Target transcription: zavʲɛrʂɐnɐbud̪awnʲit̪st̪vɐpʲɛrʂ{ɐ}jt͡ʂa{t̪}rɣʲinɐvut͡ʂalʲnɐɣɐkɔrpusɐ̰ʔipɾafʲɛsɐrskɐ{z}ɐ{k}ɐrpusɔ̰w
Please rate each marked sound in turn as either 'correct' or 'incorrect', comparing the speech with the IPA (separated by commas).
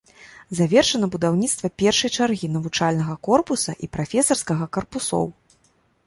correct, incorrect, incorrect, correct